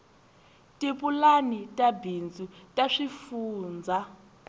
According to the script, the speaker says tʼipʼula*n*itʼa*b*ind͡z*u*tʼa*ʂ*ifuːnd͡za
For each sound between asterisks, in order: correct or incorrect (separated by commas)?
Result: correct, correct, correct, correct